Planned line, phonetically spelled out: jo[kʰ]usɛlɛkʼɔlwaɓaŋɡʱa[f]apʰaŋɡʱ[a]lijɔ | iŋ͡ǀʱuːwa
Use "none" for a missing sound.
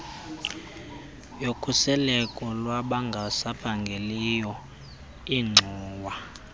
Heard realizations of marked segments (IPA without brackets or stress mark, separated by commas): kʰ, s, e